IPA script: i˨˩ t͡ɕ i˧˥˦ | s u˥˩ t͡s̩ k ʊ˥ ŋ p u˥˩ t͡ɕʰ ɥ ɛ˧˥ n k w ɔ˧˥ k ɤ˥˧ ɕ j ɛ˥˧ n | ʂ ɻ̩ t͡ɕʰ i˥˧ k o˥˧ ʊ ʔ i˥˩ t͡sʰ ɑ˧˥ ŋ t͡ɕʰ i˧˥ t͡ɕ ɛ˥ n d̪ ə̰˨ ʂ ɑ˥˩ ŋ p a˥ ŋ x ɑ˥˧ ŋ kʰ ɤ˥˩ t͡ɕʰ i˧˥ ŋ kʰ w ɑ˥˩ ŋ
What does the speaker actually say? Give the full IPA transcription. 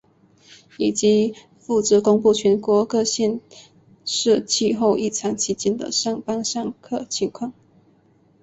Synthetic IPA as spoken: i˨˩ t͡ɕ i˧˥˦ | f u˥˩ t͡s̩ k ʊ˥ ŋ p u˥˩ t͡ɕʰ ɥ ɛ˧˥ n k w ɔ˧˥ k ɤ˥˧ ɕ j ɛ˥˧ n | ʂ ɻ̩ t͡ɕʰ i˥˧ x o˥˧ ʊ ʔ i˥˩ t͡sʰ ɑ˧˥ ŋ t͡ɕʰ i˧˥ t͡ɕ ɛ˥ n d̪ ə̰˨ ʂ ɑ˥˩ ŋ p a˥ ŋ ʂ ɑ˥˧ ŋ kʰ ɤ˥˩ t͡ɕʰ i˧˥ ŋ kʰ w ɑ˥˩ ŋ

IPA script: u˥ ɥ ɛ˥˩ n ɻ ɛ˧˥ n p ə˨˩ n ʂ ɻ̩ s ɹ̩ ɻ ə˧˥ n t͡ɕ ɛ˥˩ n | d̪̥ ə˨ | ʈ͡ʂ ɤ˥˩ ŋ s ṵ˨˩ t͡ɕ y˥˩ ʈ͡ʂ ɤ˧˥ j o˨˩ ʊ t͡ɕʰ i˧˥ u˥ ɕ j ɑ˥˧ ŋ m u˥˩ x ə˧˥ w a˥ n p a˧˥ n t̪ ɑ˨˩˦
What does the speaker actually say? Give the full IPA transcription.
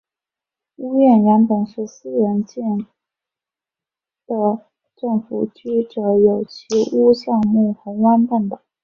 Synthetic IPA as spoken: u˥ ɥ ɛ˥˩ n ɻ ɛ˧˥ n p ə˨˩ n ʂ ɻ̩ s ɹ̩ ɻ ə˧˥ n t͡ɕ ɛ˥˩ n | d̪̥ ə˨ | ʈ͡ʂ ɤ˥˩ ŋ f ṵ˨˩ t͡ɕ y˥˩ ʈ͡ʂ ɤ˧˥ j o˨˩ ʊ t͡ɕʰ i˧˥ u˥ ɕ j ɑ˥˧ ŋ m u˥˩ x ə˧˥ w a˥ n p a˥˩ n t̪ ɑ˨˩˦

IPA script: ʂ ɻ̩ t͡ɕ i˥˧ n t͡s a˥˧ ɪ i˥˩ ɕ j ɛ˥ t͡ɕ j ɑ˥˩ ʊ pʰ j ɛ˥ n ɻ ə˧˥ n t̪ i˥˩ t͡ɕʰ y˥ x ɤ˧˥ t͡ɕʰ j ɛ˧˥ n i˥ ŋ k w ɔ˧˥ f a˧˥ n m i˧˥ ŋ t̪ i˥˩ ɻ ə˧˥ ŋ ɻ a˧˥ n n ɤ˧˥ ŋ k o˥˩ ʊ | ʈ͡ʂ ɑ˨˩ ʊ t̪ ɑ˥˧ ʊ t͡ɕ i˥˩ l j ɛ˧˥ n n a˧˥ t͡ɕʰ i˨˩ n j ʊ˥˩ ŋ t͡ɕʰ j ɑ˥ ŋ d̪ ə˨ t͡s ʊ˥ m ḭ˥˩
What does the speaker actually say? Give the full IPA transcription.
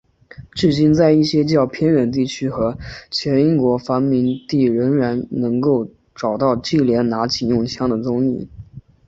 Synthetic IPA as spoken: ʈ͡ʂ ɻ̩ t͡ɕ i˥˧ n t͡s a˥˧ ɪ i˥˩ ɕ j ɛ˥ t͡ɕ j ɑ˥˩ ʊ pʰ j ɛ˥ n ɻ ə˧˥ n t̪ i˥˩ t͡ɕʰ y˥ x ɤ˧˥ t͡ɕʰ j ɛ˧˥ n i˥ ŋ k w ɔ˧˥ f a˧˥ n m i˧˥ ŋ t̪ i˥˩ ɻ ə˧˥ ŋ ɻ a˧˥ n n ɤ˧˥ ŋ k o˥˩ ʊ | ʈ͡ʂ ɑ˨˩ ʊ t̪ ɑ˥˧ ʊ t͡ɕ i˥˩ l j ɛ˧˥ n n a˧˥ t͡ɕʰ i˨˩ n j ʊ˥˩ ŋ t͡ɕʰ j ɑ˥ ŋ d̪ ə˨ t͡s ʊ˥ ŋ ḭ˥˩

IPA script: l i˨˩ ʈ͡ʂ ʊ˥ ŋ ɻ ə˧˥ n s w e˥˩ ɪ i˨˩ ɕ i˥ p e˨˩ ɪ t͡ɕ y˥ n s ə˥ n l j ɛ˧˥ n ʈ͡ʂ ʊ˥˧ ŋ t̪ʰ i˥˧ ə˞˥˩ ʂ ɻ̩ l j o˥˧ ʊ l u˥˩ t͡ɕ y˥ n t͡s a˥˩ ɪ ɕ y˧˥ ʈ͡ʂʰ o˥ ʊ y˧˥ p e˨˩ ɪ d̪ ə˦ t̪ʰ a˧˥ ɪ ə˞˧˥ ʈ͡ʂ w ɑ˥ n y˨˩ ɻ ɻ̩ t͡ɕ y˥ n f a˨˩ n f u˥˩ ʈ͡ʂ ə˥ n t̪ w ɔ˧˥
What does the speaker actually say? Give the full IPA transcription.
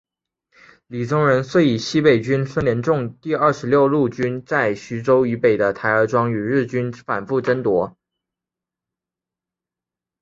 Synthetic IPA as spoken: l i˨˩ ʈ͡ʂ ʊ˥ ŋ ɻ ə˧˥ n s w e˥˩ ɪ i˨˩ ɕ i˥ p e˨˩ ɪ t͡ɕ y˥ n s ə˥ n l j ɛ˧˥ n ʈ͡ʂ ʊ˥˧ ŋ t̪ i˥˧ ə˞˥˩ ʂ ɻ̩ l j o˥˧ ʊ l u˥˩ t͡ɕ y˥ n t͡s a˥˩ ɪ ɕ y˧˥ ʈ͡ʂ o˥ ʊ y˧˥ p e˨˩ ɪ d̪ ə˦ t̪ʰ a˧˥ ɪ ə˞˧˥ ʈ͡ʂ w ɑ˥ ŋ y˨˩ ɻ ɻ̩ t͡ɕ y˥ n f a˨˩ n f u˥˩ ʈ͡ʂ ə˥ n t̪ w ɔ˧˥

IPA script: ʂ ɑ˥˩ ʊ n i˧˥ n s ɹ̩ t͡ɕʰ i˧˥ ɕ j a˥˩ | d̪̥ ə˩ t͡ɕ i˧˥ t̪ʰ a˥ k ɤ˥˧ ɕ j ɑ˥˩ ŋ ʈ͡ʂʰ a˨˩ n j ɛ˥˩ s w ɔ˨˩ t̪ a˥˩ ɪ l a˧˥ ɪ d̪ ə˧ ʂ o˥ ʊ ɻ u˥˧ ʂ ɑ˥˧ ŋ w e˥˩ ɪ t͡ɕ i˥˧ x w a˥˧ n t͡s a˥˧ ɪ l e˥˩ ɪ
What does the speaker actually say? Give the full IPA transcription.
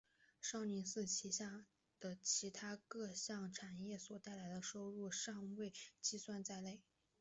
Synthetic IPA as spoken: ʂ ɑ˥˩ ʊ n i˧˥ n s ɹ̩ t͡ɕʰ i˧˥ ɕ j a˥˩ | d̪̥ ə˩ t͡ɕʰ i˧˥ t̪ʰ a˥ k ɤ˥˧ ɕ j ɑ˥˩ ŋ ʈ͡ʂʰ a˨˩ n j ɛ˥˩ s w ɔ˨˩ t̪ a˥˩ ɪ l a˧˥ ɪ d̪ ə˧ ʂ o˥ ʊ ɻ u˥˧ ʂ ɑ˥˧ ŋ w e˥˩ ɪ t͡ɕ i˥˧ s w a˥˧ n t͡s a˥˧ ɪ l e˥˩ ɪ

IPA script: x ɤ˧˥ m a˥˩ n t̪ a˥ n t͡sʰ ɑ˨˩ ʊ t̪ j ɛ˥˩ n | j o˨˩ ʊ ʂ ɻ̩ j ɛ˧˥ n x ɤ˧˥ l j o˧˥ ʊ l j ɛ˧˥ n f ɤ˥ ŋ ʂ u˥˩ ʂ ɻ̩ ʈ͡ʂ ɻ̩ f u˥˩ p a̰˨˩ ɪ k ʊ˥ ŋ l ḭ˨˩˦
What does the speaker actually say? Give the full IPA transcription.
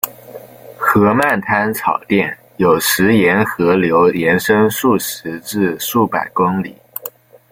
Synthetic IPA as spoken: x ɤ˧˥ m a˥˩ n t̪ʰ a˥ n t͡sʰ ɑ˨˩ ʊ t̪ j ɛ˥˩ n | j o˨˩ ʊ ʂ ɻ̩ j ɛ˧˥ n x ɤ˧˥ l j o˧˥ ʊ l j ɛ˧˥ n ʂ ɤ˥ ŋ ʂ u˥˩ ʂ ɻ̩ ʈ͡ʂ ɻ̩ ʂ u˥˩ p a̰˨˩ ɪ k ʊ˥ ŋ l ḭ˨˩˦

